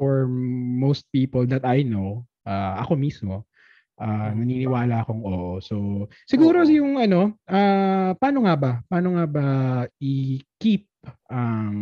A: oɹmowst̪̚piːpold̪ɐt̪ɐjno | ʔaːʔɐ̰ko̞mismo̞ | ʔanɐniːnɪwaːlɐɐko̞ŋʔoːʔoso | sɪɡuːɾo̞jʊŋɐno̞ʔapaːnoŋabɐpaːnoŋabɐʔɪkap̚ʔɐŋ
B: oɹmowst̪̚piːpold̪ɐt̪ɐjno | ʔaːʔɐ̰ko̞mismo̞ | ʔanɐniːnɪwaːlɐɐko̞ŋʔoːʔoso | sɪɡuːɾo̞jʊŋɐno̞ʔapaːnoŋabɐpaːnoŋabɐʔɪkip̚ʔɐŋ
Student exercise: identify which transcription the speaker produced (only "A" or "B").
B